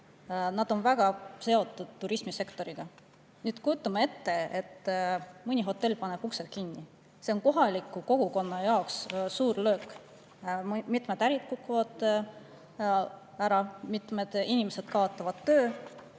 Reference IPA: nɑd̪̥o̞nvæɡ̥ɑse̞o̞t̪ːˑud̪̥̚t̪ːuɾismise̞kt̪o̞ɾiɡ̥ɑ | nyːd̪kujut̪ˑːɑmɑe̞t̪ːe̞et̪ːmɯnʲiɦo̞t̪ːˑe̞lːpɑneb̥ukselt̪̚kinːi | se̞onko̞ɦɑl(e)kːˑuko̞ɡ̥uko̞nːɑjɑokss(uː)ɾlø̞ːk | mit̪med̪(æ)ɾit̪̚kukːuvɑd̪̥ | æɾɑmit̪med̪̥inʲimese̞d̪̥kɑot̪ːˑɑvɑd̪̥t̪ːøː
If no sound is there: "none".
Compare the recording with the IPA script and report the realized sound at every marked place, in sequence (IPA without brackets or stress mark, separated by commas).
i, uː, æ